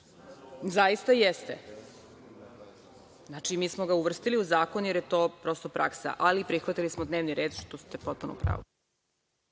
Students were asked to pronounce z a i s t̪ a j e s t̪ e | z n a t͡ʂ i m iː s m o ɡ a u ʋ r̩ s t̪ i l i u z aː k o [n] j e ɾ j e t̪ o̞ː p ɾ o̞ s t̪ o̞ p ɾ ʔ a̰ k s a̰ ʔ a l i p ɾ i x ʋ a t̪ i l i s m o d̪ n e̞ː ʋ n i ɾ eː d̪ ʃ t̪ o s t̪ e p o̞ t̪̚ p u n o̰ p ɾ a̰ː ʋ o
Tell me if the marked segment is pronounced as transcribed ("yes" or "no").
yes